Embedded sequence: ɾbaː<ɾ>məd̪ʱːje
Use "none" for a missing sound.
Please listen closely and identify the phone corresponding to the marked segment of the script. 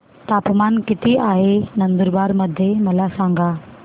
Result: ɾ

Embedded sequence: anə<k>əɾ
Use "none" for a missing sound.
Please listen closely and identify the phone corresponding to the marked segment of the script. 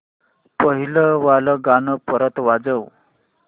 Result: p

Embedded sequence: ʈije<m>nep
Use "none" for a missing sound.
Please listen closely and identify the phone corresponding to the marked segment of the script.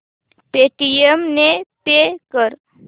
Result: m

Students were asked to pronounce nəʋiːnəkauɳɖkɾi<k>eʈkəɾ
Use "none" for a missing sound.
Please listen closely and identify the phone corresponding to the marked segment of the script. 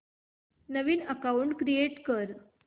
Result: none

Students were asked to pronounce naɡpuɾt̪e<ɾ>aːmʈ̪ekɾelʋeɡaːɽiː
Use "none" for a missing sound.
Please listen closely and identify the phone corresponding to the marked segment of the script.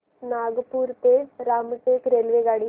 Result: ɾ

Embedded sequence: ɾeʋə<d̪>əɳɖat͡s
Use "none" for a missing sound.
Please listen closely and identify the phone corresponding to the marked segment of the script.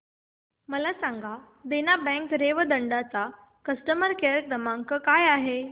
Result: d̪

